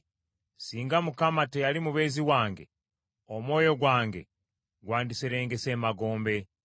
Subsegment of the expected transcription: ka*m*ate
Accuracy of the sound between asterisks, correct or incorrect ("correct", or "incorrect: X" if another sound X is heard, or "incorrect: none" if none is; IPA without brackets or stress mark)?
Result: correct